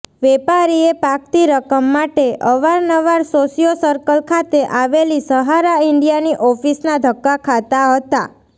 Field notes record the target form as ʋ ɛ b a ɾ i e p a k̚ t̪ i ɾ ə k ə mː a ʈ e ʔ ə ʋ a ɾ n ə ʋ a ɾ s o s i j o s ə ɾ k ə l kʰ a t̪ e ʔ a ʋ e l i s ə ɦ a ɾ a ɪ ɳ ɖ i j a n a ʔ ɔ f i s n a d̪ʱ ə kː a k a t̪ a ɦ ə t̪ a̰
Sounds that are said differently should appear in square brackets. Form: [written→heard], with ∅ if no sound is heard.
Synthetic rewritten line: ʋ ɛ [b→p] a ɾ i e p a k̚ t̪ i ɾ ə k ə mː a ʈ e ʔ ə ʋ a ɾ n ə ʋ a ɾ s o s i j o s ə ɾ k ə l kʰ a t̪ e ʔ a ʋ e l i s ə ɦ a ɾ a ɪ ɳ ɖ i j a n [a→i] ʔ ɔ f i s n a d̪ʱ ə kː a [k→kʰ] a t̪ a ɦ ə t̪ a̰